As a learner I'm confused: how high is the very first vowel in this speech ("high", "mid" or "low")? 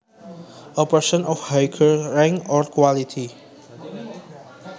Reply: mid